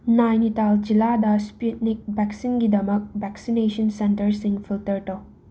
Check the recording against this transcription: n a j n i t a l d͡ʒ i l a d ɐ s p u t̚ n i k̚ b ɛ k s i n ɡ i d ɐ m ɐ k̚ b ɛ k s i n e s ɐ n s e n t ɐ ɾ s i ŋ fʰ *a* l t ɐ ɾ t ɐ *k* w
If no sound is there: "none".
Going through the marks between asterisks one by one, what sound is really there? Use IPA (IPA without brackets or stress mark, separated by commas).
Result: i, none